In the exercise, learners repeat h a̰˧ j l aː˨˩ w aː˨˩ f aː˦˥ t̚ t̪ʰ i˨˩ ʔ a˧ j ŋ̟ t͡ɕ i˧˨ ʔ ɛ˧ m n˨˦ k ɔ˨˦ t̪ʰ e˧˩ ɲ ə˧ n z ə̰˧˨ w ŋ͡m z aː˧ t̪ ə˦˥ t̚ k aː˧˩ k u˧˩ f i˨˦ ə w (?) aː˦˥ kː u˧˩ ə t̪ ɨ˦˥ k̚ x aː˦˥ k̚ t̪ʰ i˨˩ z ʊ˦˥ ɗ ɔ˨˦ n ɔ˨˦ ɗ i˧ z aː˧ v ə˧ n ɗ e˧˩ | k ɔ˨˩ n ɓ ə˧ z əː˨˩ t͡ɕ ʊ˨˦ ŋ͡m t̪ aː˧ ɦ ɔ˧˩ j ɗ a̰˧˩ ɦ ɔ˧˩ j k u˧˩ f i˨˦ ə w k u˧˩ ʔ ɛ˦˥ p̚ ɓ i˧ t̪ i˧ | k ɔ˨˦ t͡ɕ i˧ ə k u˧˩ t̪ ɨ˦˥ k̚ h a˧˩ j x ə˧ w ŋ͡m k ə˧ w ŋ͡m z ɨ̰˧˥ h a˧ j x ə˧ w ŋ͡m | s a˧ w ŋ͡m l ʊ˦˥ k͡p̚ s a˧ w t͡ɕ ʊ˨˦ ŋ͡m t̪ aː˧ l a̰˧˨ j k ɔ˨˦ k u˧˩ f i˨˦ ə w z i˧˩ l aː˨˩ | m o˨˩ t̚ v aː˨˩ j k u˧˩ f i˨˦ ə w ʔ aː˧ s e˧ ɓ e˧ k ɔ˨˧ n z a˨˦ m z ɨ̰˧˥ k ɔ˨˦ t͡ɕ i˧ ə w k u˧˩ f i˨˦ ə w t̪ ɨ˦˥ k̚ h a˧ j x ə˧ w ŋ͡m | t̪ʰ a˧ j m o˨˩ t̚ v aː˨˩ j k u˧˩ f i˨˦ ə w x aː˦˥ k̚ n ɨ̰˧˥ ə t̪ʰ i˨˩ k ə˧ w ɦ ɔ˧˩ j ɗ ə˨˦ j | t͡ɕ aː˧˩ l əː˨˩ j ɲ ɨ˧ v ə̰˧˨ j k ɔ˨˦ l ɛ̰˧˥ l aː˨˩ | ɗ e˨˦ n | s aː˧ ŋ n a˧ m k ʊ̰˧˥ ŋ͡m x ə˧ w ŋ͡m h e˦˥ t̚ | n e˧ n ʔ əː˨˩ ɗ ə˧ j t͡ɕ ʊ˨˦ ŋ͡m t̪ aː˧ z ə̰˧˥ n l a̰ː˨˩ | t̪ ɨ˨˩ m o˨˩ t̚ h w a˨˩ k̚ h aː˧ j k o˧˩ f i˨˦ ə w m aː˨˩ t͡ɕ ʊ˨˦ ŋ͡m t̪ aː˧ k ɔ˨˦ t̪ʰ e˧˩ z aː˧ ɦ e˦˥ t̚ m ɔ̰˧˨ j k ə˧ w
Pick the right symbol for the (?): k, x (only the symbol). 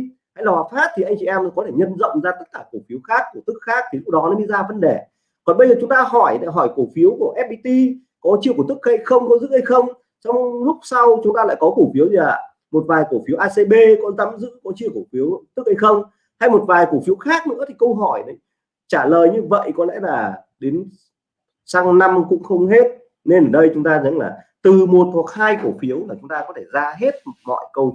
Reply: x